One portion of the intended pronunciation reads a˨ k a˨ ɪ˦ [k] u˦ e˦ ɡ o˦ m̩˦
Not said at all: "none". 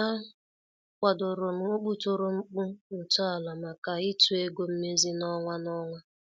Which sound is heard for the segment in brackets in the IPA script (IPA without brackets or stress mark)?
t